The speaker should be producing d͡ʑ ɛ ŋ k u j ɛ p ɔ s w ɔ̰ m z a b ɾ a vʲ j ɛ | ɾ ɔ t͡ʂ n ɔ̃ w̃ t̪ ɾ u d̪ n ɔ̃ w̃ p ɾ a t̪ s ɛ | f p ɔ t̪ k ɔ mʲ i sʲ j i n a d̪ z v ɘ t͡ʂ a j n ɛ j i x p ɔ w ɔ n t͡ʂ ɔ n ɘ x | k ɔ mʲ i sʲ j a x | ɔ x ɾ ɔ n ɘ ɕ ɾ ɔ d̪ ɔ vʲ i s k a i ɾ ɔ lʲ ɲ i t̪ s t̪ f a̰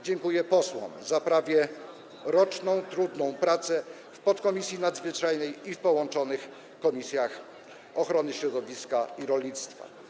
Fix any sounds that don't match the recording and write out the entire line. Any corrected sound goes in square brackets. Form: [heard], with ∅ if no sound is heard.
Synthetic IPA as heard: d͡ʑ ɛ ŋ k u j ɛ p ɔ s w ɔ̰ m z a [p] ɾ a vʲ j ɛ | ɾ ɔ t͡ʂ n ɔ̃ w̃ t̪ ɾ u d̪ n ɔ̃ w̃ p ɾ a t̪ s ɛ | f p ɔ t̪ k ɔ mʲ i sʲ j i n a d̪ z v ɘ t͡ʂ a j n ɛ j i [f] p ɔ w ɔ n t͡ʂ ɔ n ɘ x | k ɔ mʲ i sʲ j a x | ɔ x ɾ ɔ n ɘ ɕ ɾ ɔ d̪ ɔ vʲ i s k a i ɾ ɔ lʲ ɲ i t̪ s t̪ f a̰